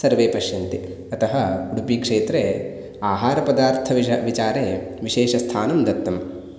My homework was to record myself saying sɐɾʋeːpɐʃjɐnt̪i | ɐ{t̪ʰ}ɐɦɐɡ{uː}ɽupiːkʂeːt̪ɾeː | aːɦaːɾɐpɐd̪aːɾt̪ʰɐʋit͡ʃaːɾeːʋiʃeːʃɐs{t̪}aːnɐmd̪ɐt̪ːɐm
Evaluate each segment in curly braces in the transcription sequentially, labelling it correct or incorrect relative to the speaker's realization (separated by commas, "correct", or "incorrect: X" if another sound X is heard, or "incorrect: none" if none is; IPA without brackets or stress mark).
incorrect: t̪, incorrect: u, incorrect: t̪ʰ